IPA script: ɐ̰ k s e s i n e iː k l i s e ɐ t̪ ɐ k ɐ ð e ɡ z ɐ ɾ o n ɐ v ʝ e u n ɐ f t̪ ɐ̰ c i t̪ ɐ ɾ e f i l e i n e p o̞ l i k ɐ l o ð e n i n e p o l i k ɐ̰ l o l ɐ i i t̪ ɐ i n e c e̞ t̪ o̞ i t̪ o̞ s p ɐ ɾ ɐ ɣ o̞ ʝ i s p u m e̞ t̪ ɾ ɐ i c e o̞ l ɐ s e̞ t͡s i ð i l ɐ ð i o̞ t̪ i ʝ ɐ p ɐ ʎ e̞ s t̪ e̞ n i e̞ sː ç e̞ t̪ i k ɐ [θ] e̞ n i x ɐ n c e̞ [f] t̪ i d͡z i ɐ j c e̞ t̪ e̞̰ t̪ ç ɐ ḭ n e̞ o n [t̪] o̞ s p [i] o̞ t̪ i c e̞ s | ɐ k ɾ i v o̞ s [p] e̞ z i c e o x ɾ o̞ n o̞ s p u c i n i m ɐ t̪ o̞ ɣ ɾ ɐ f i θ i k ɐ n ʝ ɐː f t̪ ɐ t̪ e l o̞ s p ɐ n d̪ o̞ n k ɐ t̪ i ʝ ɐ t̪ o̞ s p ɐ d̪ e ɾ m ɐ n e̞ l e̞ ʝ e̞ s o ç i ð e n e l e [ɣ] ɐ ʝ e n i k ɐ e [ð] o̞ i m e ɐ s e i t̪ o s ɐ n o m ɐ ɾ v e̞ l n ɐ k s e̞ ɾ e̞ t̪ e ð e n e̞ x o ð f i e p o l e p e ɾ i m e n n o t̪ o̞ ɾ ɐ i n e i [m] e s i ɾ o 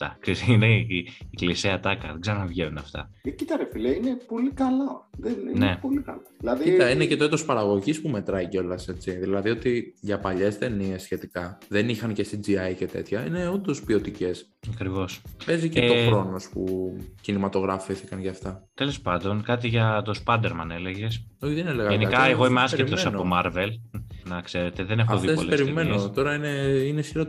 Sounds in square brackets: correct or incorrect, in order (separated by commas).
incorrect, incorrect, incorrect, correct, correct, correct, incorrect, incorrect